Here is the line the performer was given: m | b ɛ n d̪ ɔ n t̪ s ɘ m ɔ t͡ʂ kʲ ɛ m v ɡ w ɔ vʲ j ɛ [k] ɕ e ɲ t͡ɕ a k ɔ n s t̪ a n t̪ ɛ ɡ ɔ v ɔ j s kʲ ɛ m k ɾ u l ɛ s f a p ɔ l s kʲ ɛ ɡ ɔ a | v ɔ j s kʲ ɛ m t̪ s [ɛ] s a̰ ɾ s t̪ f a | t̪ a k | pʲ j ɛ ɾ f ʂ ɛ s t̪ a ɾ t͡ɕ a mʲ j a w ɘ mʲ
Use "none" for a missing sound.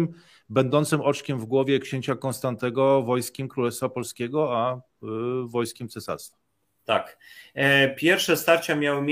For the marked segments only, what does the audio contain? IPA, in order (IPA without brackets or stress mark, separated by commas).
k, ɛ